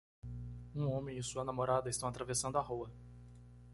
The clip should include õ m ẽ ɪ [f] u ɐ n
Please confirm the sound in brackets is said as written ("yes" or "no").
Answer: no